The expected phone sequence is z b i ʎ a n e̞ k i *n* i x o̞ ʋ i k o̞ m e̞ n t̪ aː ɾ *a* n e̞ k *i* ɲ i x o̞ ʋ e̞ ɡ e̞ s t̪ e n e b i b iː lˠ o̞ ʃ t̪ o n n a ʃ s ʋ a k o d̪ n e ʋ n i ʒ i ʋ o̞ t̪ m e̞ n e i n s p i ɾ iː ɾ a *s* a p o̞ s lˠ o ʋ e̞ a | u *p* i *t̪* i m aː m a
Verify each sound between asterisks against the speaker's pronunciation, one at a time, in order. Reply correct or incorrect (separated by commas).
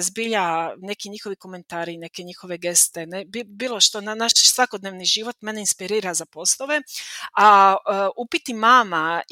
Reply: incorrect, incorrect, incorrect, incorrect, correct, correct